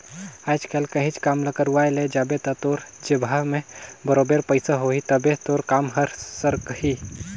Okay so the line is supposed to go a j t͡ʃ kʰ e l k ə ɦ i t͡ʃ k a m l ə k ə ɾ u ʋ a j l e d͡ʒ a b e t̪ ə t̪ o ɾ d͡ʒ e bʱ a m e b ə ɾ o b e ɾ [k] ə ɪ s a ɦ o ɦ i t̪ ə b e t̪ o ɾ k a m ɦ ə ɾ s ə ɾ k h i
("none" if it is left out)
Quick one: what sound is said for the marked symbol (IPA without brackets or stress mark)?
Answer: p